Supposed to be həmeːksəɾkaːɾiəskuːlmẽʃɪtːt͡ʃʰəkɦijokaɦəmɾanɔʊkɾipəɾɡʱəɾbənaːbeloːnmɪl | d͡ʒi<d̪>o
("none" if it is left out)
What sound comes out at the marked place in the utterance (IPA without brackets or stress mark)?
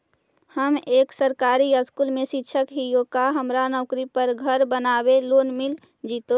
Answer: t̪